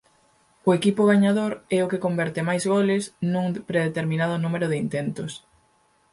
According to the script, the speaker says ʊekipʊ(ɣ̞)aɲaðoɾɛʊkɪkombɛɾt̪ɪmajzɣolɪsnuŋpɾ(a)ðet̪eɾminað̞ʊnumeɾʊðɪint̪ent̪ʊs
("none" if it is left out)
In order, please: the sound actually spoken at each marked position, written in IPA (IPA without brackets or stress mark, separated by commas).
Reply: ɣ̞, e